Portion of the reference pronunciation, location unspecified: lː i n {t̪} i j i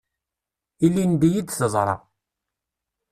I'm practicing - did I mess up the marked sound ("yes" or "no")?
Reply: yes